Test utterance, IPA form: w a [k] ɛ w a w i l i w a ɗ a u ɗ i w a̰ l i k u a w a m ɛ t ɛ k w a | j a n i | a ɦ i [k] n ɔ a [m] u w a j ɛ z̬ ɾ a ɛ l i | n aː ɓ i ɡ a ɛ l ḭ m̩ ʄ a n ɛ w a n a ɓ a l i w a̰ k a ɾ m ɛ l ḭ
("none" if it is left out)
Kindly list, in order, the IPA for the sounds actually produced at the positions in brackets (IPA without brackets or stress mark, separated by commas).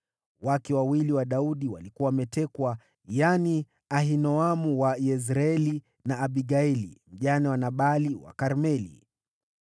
k, none, m